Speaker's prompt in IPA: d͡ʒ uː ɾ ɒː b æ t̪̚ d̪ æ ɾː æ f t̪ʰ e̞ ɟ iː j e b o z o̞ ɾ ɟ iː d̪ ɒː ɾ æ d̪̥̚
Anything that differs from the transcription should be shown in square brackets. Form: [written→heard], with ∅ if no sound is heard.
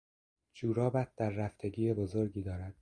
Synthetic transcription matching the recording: d͡ʒ uː ɾ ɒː b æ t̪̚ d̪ æ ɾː æ f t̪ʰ e̞ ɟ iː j e b o z o̞ ɾ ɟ iː d̪ ɒː ɾ æ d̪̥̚

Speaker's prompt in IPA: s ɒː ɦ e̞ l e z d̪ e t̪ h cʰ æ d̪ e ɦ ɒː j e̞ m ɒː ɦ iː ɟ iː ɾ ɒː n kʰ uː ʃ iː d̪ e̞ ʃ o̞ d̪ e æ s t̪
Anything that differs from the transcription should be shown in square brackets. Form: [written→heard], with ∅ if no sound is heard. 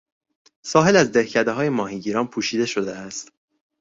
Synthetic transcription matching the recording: s ɒː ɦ e̞ l [e→æ] z d̪ e [t̪→∅] h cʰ æ d̪ e ɦ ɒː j e̞ m ɒː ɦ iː ɟ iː ɾ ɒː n [kʰ→pʰ] uː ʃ iː d̪ e̞ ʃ o̞ d̪ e æ s t̪

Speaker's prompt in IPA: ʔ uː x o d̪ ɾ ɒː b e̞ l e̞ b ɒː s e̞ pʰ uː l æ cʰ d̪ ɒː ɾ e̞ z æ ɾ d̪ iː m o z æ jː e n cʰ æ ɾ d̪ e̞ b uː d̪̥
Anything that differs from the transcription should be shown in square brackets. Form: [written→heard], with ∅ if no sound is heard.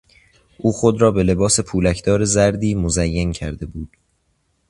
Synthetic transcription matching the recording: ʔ uː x o d̪ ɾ ɒː b e̞ l e̞ b ɒː s e̞ pʰ uː l æ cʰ d̪ ɒː ɾ e̞ z æ ɾ d̪ iː m o z æ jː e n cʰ æ ɾ d̪ e̞ b uː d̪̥

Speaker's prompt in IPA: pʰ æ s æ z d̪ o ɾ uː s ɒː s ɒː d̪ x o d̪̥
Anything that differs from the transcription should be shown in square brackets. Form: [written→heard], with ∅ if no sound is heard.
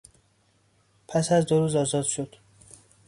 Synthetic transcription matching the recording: pʰ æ s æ z d̪ o ɾ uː [s→z] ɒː [s→z] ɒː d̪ [x→ʃ] o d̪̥

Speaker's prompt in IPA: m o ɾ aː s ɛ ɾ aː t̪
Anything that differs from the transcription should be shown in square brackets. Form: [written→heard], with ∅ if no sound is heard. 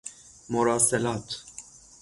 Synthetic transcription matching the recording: m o ɾ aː s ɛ [ɾ→l] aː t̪

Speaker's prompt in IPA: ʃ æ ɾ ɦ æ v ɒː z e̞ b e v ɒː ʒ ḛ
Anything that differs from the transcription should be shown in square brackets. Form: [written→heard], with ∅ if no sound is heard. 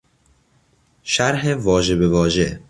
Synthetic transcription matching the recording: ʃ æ ɾ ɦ [æ→e] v ɒː [z→ʒ] e̞ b e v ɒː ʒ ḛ

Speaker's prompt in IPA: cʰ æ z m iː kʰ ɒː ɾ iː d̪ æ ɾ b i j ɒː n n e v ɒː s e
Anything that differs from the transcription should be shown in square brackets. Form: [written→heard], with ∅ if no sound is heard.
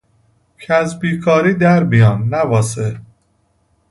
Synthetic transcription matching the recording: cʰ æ z [m→b] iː kʰ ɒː ɾ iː d̪ æ ɾ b i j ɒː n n [e→æ] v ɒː s e

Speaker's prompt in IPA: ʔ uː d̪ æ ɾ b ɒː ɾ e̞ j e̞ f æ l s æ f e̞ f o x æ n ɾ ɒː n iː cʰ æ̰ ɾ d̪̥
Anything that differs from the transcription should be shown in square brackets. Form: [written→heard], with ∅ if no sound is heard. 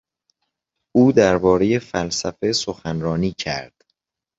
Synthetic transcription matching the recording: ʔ uː d̪ æ ɾ b ɒː ɾ e̞ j e̞ f æ l s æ f e̞ [f→s] o x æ n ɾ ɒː n iː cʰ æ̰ ɾ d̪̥

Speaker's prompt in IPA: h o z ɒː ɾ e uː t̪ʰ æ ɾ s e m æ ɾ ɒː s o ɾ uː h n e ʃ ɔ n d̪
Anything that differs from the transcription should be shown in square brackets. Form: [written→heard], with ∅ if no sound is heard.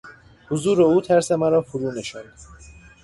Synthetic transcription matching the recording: h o z [ɒː→uː] ɾ e uː t̪ʰ æ ɾ s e m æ ɾ ɒː [s→f] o ɾ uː [h→∅] n e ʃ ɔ n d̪

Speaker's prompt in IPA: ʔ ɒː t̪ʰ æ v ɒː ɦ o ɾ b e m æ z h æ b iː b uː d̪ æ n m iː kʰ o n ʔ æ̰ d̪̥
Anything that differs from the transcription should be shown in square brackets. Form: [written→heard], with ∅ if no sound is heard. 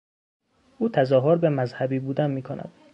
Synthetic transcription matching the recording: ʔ [ɒː→uː] t̪ʰ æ [v→z] ɒː ɦ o ɾ b e m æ z h æ b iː b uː d̪ æ n m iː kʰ o n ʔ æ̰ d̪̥

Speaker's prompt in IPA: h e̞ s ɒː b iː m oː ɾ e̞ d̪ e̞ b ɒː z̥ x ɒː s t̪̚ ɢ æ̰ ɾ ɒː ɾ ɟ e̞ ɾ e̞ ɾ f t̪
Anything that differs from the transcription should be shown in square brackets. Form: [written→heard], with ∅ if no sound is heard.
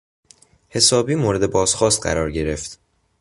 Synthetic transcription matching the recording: h e̞ s ɒː b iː m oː ɾ e̞ d̪ e̞ b ɒː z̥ x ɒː s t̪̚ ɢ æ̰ ɾ ɒː ɾ ɟ e̞ ɾ e̞ [ɾ→∅] f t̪

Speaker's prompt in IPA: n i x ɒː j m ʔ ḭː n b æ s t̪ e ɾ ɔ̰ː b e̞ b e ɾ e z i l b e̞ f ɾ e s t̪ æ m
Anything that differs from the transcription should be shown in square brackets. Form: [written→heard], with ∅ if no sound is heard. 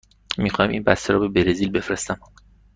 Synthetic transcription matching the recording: [n→m] i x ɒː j m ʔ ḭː n b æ s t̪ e ɾ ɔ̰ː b e̞ b e ɾ e z i l b e̞ f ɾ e s t̪ æ m

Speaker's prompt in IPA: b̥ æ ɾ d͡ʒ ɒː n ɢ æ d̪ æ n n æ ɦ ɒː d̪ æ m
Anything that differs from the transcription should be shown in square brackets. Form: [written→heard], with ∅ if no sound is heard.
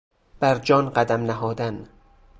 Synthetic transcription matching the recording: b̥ æ ɾ d͡ʒ ɒː n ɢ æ d̪ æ [n→m] n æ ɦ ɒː d̪ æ [m→n]

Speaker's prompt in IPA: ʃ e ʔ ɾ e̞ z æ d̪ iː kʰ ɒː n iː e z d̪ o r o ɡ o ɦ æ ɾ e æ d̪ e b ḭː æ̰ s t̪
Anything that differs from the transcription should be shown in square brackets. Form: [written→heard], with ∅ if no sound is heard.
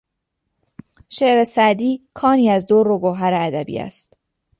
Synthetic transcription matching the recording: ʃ e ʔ ɾ e̞ [z→s] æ d̪ iː kʰ ɒː n iː [e→æ] z d̪ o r o ɡ o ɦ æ ɾ e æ d̪ [e→æ] b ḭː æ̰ s t̪

